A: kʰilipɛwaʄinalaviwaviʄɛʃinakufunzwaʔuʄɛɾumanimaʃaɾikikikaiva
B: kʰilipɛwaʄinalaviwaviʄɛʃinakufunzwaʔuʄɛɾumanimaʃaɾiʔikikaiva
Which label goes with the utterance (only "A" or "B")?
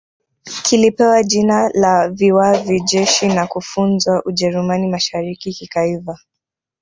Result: A